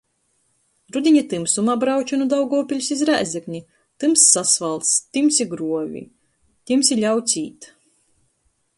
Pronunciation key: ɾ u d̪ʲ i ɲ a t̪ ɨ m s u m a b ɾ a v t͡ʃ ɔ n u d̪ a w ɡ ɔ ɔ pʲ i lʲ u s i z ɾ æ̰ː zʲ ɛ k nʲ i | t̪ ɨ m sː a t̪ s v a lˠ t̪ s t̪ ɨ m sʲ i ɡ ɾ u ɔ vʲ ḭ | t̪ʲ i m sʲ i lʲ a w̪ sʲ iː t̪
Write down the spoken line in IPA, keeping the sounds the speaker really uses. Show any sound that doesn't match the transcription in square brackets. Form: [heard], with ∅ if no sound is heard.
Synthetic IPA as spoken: ɾ u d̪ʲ i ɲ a t̪ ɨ m s u m a b ɾ a [w] t͡ʃ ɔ n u d̪ a w ɡ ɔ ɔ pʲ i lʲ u s i z ɾ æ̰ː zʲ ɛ k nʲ i | t̪ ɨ m sː a [∅] s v a lˠ t̪ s t̪ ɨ m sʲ i ɡ ɾ u ɔ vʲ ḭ | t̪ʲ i m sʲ i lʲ a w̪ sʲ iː t̪